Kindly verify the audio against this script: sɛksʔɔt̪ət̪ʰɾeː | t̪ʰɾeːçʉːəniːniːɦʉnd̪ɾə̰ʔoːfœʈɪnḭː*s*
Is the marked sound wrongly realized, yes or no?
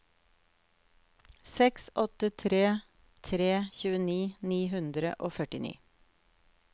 yes